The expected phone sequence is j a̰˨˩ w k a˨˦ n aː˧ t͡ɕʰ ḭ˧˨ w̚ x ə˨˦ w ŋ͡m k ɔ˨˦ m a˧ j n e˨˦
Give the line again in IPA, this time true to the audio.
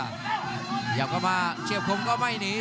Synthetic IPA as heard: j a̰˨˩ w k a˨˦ m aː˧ t͡ɕ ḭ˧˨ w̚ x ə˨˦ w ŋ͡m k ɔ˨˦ m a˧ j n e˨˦